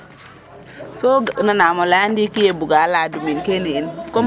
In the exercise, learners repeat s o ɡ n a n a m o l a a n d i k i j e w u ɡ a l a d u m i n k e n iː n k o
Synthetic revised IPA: s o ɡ n a n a m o l a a n d i k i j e b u ɡ a l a d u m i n k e n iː n k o